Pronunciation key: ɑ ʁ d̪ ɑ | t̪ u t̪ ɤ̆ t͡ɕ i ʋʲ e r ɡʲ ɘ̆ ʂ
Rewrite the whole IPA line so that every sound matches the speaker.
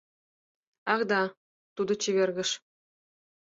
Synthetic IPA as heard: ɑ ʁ d̪ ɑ | t̪ u d̪ ɤ̆ t͡ɕ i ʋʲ e r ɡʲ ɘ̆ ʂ